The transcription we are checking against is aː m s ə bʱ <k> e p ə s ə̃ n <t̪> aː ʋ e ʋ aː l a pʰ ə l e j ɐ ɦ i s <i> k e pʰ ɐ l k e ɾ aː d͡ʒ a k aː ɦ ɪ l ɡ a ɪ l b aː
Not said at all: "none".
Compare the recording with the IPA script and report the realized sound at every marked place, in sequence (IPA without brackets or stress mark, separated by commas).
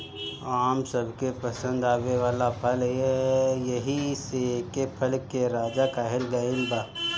k, d̪, e